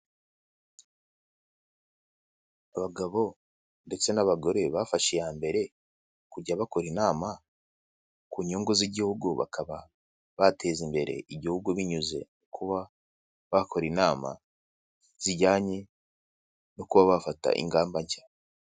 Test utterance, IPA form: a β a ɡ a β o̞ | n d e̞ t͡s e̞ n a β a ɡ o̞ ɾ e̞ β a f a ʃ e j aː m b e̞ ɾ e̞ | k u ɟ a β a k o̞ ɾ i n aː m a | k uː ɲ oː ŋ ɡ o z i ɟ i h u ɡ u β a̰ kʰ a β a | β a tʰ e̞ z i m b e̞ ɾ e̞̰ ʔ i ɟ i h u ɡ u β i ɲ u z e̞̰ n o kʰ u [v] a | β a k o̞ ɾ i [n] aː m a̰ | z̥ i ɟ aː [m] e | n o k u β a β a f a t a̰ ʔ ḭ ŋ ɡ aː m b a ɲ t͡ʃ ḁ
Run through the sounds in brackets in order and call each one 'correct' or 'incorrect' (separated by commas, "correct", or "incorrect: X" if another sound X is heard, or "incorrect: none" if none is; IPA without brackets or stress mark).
incorrect: β, correct, incorrect: ɲ